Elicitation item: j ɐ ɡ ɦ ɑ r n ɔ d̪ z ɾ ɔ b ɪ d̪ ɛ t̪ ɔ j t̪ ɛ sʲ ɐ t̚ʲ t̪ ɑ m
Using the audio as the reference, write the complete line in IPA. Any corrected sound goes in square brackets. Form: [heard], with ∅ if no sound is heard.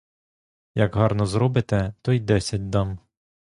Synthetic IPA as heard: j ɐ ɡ ɦ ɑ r n ɔ [∅] z ɾ ɔ b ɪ [t̪] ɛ t̪ ɔ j [d̪] ɛ sʲ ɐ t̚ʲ [d̪] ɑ m